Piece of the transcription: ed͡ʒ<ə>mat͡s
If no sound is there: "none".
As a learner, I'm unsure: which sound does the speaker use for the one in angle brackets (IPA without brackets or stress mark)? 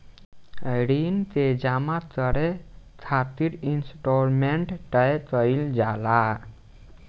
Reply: a